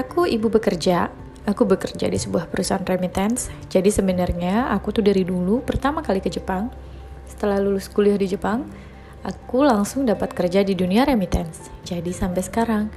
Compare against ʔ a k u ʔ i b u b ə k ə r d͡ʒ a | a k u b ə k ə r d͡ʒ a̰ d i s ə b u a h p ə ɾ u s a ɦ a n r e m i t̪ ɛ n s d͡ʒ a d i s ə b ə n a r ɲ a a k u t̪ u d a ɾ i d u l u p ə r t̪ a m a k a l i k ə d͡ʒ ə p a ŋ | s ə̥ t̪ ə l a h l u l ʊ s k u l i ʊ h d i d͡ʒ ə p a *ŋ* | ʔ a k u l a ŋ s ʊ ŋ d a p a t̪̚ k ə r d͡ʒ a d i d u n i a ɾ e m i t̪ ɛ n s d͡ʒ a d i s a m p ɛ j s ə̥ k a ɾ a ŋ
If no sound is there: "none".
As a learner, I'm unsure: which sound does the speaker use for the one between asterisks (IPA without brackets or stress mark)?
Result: ŋ